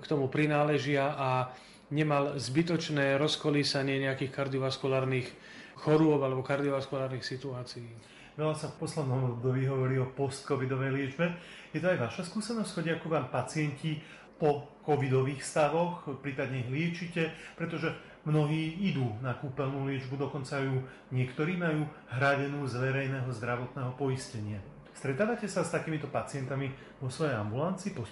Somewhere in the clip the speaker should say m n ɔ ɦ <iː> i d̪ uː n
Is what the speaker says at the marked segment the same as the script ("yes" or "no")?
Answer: yes